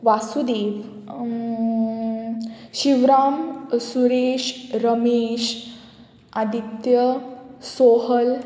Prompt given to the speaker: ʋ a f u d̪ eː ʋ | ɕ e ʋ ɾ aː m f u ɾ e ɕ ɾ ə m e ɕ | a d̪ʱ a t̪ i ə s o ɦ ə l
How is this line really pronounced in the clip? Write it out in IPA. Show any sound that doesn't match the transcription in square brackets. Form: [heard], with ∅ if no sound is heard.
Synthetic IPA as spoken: ʋ a [s] u d̪ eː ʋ | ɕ [i] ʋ ɾ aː m [s] u ɾ e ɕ ɾ ə m e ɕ | a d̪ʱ [i] t̪ [j] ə s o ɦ ə l

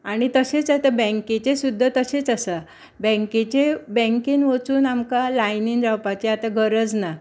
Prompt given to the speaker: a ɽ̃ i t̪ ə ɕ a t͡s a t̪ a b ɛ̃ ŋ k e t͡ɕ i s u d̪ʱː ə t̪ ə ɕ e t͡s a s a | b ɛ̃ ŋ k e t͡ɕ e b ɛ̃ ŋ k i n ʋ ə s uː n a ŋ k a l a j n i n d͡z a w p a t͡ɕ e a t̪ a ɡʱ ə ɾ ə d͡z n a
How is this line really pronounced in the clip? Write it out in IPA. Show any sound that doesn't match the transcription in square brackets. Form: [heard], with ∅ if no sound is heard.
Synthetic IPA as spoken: a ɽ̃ i t̪ ə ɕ [e] t͡s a t̪ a b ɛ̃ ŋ k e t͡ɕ [e] s u d̪ʱː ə t̪ ə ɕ e t͡s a s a | b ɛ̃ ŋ k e t͡ɕ e b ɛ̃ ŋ k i n ʋ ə [t͡s] uː n a [m] k a l a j n i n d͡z a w p a t͡ɕ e a t̪ a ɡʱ ə ɾ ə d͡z n a

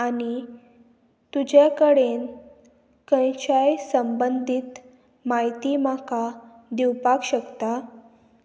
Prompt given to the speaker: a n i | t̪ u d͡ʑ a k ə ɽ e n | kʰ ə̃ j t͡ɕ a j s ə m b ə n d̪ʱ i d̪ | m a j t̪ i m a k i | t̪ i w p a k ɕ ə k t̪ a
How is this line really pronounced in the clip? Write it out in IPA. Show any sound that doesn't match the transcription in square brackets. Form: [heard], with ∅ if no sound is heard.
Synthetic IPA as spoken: a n i | t̪ u d͡ʑ a k ə ɽ e n | [k] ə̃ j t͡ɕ a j s ə m b ə n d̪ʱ i [t̪] | m a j t̪ i m a k [a] | [d̪] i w p a k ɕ ə k t̪ a

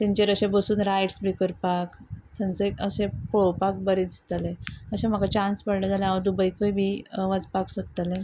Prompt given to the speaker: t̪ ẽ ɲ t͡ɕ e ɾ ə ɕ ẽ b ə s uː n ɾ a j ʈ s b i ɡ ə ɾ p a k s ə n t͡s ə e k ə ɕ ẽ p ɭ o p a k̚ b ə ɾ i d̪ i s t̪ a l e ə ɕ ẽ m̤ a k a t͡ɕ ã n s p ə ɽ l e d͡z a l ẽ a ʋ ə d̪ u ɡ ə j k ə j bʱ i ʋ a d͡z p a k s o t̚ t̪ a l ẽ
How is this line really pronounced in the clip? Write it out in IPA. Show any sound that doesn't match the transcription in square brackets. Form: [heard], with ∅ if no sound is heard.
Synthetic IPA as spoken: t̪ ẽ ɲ t͡ɕ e ɾ ə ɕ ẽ b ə s uː n ɾ a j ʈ s b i [k] ə ɾ p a k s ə n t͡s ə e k ə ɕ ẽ p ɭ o p a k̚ b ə ɾ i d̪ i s t̪ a l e ə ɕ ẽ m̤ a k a t͡ɕ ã n s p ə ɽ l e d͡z a l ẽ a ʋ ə d̪ u [b] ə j k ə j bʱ i ʋ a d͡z p a k s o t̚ t̪ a l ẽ

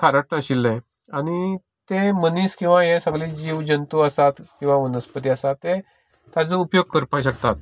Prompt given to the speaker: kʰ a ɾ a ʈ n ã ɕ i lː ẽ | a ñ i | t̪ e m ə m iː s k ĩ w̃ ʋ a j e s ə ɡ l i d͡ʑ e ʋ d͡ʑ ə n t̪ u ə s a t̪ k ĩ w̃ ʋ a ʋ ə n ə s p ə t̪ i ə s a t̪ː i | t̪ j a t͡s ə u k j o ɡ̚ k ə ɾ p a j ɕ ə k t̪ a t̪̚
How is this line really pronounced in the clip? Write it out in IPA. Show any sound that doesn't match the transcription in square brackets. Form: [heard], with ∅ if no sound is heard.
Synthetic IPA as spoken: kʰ a ɾ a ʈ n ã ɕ i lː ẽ | a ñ i | t̪ e m ə [n] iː s k ĩ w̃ ʋ a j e s ə ɡ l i d͡ʑ [i] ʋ d͡ʑ ə n t̪ u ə s a t̪ k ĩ w̃ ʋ a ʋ ə n ə s p ə t̪ i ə s a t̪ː [e] | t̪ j a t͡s ə u [p] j o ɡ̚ k ə ɾ p a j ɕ ə k t̪ a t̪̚

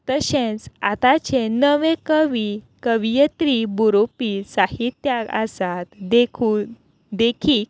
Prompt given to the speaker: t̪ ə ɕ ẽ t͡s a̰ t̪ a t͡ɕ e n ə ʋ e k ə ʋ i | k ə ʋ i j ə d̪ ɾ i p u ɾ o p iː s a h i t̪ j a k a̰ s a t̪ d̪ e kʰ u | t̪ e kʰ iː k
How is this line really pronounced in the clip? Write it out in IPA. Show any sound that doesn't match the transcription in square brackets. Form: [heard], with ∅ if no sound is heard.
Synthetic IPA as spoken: t̪ ə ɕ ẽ t͡s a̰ t̪ a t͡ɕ e n ə ʋ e k ə ʋ i | k ə ʋ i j ə [t̪] ɾ i [b] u ɾ o p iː s a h i t̪ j a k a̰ s a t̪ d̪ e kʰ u | [d̪] e kʰ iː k

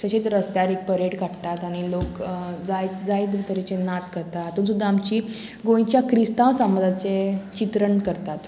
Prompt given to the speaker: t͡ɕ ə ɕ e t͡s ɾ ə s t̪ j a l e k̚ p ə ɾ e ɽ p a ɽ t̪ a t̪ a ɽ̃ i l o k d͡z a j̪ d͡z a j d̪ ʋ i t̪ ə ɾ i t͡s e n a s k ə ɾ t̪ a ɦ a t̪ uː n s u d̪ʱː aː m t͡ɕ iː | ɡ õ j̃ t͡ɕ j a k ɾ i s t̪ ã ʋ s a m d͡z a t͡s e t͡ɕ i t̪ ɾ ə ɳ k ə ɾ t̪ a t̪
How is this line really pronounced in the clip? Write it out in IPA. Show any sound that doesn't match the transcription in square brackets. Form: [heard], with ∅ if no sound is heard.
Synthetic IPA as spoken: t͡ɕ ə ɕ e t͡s ɾ ə s t̪ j a [ɾ] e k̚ p ə ɾ e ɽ [k] a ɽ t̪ a t̪ a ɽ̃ i l o k d͡z a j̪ d͡z a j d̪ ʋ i t̪ ə ɾ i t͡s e n a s k ə ɾ t̪ a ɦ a t̪ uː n s u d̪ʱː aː m t͡ɕ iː | ɡ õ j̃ t͡ɕ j a k ɾ i s t̪ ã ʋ s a m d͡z a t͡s e t͡ɕ i t̪ ɾ ə ɳ k ə ɾ t̪ a t̪

